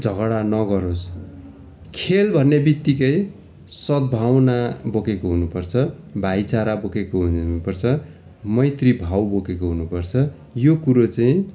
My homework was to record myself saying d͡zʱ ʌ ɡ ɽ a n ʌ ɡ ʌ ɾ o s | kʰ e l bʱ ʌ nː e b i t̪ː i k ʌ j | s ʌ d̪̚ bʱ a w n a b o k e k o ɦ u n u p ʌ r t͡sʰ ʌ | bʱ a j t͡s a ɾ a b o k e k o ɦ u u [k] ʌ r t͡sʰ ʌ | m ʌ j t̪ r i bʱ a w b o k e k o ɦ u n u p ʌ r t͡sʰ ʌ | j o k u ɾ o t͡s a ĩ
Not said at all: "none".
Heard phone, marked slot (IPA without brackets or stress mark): p